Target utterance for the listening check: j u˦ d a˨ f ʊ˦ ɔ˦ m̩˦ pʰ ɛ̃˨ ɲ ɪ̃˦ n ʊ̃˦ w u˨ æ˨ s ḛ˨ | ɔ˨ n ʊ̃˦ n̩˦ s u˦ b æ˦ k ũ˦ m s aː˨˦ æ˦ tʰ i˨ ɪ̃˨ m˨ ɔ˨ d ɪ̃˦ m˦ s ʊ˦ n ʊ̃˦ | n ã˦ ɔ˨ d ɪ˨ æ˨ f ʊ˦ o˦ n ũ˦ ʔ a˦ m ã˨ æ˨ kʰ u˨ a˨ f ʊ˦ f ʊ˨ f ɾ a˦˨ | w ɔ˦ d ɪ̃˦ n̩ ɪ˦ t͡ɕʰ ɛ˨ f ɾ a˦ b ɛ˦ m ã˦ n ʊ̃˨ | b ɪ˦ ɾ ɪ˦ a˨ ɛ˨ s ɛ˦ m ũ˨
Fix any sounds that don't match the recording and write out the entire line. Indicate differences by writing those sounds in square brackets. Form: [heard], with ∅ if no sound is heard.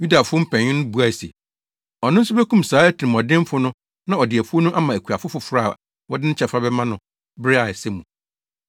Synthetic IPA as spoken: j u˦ d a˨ f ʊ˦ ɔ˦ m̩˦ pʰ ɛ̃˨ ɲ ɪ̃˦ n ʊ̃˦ [b] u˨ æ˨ s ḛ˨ | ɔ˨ n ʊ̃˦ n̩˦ s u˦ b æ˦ k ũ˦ m s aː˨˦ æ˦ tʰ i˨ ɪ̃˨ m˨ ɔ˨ d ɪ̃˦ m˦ [f] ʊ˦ n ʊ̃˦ | n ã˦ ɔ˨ d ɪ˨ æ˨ f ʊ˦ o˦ n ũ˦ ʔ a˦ m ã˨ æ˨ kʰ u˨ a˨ f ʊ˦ f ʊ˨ f ɾ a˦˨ | w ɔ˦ d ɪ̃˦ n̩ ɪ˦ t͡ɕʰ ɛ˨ f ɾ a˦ b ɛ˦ m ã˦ n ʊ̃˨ | b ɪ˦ ɾ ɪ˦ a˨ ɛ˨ s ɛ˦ m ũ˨